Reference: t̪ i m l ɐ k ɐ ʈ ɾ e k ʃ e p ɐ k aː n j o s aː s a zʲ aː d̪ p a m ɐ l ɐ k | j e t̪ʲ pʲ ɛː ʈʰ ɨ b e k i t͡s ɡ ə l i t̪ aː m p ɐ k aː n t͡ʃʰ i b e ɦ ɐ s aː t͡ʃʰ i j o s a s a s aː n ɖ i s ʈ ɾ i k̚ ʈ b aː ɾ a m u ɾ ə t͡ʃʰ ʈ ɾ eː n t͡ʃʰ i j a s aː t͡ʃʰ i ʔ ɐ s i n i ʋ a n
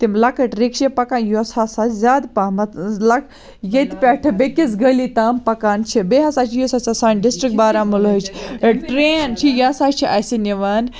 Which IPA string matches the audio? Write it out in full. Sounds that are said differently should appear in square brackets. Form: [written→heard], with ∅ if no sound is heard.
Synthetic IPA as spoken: t̪ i m l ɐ k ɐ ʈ ɾ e k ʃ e p ɐ k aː n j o s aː s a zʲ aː d̪ p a m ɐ l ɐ k | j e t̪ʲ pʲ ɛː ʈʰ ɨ b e k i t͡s ɡ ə l i t̪ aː m p ɐ k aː n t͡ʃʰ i b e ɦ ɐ s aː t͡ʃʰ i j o s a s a s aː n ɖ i s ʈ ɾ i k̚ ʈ b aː ɾ a m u [ɾ→l] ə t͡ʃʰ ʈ ɾ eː n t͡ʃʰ i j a s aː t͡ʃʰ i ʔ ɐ s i n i ʋ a n